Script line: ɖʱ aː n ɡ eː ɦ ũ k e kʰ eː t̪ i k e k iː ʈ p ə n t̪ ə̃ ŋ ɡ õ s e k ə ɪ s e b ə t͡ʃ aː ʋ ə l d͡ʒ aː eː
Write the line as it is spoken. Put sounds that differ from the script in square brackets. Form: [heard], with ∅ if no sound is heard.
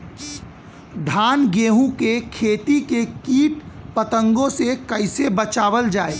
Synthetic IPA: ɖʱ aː n ɡ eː ɦ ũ k e kʰ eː t̪ i k e k iː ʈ p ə [∅] t̪ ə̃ ŋ ɡ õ s e k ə ɪ s e b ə t͡ʃ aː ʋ ə l d͡ʒ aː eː